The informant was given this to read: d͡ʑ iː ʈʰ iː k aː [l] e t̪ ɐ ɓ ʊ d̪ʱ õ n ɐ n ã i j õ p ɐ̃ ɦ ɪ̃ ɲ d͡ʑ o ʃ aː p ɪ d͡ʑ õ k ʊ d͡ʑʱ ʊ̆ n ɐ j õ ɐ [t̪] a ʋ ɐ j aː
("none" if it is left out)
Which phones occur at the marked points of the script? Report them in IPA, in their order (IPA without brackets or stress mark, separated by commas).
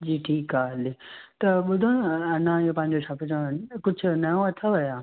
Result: l, t̪ʰ